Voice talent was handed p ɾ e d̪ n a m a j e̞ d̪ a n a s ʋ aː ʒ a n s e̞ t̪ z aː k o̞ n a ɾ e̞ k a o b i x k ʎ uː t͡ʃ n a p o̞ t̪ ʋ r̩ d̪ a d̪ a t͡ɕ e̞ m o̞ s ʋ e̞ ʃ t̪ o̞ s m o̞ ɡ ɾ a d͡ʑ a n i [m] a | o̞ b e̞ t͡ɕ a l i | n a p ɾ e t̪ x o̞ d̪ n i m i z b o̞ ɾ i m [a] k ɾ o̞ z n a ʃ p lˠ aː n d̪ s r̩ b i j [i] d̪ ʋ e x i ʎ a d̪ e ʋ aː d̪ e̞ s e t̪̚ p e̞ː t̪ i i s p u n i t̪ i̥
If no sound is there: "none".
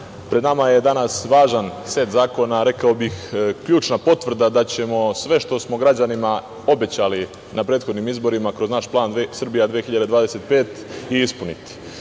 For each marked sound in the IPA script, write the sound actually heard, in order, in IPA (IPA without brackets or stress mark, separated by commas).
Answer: m, a, a